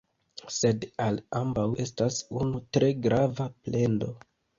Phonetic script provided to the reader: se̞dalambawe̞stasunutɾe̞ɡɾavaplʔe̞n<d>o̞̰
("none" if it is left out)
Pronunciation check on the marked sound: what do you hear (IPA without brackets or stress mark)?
d